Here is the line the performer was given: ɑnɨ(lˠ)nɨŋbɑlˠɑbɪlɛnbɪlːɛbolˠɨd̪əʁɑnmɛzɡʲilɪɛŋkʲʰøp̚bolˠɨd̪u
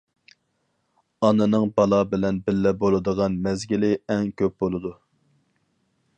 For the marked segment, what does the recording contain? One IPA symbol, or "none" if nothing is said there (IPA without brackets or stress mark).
none